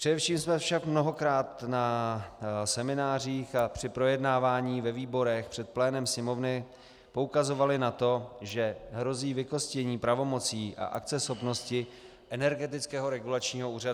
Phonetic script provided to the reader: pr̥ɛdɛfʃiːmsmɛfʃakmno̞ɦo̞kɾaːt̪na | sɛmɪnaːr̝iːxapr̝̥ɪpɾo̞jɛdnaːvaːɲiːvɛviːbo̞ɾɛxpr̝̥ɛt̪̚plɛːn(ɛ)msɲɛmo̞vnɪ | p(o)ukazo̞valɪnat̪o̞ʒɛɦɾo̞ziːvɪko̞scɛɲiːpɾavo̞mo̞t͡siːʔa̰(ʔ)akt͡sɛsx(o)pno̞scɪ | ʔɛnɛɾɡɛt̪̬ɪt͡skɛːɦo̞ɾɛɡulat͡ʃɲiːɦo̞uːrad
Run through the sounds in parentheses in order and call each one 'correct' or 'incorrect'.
correct, correct, correct, correct

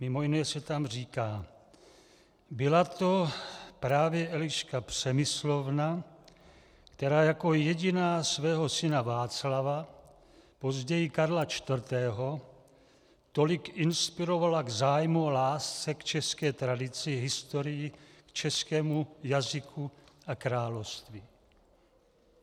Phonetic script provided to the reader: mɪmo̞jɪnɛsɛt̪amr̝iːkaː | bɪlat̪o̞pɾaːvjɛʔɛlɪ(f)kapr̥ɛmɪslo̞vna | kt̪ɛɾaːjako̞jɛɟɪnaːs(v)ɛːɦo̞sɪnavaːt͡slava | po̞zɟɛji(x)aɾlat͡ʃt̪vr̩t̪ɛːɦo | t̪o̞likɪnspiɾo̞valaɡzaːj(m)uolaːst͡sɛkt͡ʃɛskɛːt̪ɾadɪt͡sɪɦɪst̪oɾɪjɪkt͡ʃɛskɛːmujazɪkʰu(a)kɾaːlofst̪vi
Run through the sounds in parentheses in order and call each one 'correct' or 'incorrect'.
incorrect, correct, incorrect, correct, correct

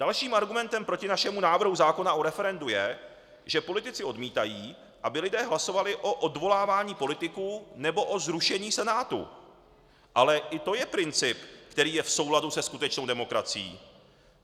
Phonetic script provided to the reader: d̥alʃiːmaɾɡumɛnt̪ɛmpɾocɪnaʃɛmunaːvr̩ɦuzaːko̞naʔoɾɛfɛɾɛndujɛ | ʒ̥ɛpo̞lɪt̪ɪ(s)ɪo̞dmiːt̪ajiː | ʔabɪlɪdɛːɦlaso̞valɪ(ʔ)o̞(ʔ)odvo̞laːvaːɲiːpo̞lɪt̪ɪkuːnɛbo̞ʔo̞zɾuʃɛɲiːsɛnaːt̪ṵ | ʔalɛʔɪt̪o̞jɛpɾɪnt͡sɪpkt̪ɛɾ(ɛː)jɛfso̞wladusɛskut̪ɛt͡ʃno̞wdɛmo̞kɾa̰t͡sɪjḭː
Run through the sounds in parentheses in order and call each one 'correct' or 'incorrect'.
incorrect, correct, correct, incorrect

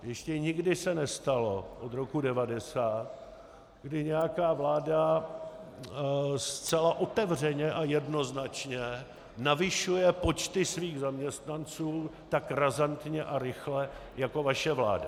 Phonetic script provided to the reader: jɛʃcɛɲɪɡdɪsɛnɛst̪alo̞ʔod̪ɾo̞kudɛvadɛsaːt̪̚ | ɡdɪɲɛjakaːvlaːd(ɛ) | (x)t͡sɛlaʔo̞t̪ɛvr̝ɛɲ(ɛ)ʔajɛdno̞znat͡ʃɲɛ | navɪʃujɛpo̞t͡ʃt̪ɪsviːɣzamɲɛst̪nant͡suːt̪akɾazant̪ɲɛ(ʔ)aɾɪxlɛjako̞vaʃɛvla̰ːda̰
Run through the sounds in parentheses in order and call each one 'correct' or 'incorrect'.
incorrect, incorrect, correct, correct

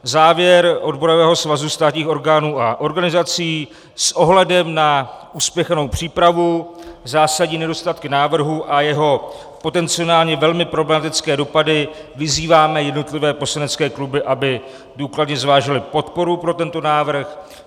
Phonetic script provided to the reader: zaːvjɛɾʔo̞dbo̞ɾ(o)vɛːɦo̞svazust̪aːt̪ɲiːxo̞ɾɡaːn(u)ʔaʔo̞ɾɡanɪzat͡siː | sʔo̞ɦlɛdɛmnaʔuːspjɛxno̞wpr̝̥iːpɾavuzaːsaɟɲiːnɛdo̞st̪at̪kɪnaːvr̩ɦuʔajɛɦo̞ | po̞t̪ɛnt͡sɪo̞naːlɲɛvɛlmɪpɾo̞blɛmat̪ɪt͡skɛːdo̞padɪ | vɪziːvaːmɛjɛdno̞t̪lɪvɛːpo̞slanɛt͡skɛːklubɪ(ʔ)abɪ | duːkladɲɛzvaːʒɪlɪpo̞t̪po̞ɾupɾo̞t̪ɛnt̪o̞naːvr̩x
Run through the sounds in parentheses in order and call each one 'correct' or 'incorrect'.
correct, incorrect, correct

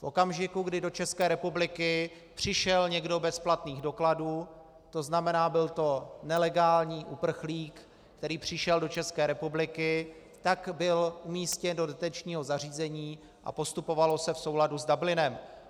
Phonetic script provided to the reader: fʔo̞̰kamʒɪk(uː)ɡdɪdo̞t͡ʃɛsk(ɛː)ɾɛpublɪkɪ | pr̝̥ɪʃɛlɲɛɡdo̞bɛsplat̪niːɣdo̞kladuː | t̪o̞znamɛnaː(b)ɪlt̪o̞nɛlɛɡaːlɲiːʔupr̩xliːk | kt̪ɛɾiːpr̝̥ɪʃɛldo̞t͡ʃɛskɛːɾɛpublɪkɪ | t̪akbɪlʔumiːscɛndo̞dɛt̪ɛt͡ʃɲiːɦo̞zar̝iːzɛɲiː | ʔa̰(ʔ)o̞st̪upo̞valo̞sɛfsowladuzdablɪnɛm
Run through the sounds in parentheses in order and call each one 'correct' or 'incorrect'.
incorrect, correct, correct, incorrect

